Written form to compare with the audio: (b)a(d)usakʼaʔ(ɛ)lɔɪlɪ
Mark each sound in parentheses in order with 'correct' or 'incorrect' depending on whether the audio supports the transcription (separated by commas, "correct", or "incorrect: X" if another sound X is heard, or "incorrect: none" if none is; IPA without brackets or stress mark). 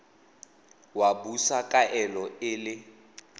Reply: incorrect: w, incorrect: b, correct